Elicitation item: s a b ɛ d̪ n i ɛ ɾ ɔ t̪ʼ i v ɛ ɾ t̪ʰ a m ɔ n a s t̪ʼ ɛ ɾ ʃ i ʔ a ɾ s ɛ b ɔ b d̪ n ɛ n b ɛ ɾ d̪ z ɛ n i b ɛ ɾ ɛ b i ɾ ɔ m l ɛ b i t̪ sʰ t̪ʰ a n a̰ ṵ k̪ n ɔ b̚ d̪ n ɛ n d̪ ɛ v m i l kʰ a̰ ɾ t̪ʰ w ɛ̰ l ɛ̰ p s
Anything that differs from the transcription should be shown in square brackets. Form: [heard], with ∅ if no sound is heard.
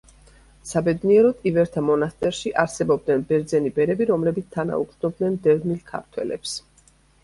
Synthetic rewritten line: s a b ɛ d̪ n i ɛ ɾ ɔ t̪ʼ i v ɛ ɾ t̪ʰ a m ɔ n a s t̪ʼ ɛ ɾ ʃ i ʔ a ɾ s ɛ b ɔ b d̪ n ɛ n b ɛ ɾ d̪ z ɛ n i b ɛ ɾ ɛ b i ɾ ɔ m l ɛ b i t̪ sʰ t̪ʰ a n a̰ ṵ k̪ n ɔ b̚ d̪ n ɛ n d̪ ɛ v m i l kʰ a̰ ɾ t̪ʰ w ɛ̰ l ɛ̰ p s